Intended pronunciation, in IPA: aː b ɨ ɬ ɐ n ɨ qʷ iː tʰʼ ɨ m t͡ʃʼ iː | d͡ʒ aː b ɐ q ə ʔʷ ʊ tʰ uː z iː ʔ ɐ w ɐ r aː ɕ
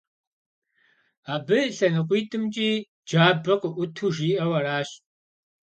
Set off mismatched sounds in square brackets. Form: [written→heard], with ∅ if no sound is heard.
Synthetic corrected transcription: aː b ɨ ɬ ɐ n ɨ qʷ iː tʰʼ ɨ m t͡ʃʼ iː | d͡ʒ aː b ɐ q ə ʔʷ ʊ tʰ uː [z→ʒ] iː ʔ ɐ w ɐ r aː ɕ